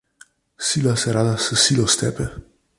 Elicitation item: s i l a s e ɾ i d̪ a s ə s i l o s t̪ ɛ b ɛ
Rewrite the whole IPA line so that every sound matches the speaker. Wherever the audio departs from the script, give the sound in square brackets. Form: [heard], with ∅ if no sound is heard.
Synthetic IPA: s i l a s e ɾ [a] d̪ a s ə s i l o s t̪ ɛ [p] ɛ